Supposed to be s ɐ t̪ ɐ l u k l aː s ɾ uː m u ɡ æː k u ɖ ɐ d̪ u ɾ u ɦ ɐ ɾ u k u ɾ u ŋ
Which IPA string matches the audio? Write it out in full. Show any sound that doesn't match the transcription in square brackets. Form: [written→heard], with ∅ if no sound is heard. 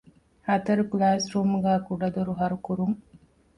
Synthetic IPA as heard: [s→h] ɐ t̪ ɐ [l→ɾ] u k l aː s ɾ uː m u ɡ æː k u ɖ ɐ d̪ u ɾ u ɦ ɐ ɾ u k u ɾ u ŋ